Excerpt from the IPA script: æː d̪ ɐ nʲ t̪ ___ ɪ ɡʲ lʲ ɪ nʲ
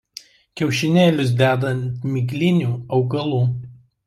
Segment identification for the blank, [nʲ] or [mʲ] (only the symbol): mʲ